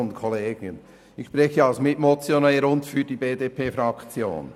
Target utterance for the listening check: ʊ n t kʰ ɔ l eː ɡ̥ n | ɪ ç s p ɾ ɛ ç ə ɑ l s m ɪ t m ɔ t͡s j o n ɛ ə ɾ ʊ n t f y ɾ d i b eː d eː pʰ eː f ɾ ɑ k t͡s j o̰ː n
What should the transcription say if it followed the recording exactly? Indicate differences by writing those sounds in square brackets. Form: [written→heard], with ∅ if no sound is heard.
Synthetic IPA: ʊ n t kʰ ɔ l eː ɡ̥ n | ɪ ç [s→ʃ] p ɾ ɛ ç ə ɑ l s m ɪ t m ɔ t͡s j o n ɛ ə ɾ ʊ n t f y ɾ d i b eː d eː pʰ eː f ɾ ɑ k t͡s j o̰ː n